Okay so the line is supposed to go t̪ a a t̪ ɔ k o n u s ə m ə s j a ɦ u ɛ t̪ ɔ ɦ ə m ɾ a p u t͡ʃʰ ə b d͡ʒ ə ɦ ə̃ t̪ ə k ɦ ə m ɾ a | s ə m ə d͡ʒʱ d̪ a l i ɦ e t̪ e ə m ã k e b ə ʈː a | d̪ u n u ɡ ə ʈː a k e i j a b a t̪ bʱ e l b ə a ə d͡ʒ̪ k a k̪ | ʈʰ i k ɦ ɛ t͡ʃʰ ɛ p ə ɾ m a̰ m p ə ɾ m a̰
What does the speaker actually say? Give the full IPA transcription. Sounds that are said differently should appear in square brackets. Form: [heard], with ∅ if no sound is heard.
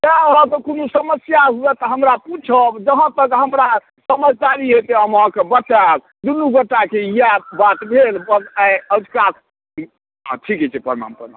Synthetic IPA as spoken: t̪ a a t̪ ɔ k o n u s ə m ə s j a ɦ u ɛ t̪ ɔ ɦ ə m ɾ a p u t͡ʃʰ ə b d͡ʒ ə ɦ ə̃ t̪ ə k ɦ ə m ɾ a | s ə m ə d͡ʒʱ d̪ a [ɾ] i ɦ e t̪ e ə m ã k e b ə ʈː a | d̪ u n u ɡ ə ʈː a k e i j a b a t̪ bʱ e l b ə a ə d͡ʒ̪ k a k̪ | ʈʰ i k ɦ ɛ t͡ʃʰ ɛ p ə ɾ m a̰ m p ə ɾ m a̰